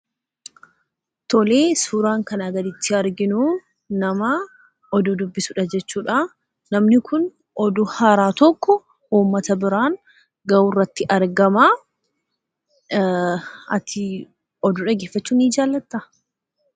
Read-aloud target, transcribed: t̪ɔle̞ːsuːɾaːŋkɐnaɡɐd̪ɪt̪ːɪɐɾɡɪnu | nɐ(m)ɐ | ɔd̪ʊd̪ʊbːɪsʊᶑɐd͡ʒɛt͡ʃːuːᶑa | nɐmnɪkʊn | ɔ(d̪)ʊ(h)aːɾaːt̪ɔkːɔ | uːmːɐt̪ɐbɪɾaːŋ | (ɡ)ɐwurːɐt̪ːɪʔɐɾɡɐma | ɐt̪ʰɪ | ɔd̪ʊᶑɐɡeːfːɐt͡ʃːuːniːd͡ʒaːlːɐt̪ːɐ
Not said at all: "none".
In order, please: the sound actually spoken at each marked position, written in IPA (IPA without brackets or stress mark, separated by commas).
m, d̪, h, ɡ